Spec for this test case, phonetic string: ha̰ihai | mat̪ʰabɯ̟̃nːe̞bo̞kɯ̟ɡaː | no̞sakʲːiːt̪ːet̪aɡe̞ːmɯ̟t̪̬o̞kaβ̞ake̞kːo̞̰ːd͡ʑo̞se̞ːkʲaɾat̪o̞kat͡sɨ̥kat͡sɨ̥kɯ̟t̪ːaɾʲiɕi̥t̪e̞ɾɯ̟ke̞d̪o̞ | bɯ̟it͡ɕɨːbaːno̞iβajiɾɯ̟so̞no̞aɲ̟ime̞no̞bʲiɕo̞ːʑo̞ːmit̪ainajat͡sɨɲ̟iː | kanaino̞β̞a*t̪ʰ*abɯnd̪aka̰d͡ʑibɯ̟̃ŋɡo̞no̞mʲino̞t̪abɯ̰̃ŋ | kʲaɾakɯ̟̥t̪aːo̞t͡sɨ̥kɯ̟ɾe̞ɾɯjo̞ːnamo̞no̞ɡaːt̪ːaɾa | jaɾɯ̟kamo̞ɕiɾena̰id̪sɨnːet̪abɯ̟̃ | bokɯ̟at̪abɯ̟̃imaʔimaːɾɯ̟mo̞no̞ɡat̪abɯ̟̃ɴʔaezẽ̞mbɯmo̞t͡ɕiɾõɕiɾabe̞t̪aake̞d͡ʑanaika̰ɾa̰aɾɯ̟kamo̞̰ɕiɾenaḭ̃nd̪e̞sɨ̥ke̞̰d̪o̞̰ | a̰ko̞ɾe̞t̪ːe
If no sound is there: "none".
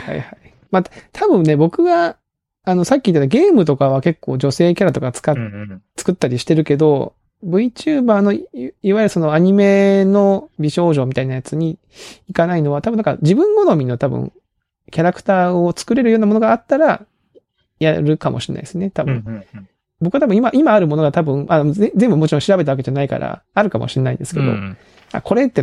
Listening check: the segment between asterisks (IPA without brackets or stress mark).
t̪